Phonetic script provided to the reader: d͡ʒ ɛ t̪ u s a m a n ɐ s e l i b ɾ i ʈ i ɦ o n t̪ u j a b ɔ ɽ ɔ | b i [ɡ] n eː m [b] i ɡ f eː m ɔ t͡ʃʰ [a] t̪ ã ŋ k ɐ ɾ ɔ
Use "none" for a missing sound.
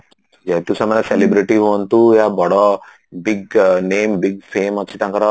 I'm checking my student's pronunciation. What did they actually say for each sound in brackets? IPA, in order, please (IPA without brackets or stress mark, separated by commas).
ɡ, b, i